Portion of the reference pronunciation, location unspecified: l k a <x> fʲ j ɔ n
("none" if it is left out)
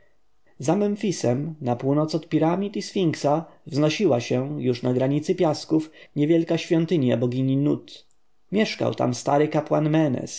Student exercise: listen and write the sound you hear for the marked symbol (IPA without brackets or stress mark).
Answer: ɕ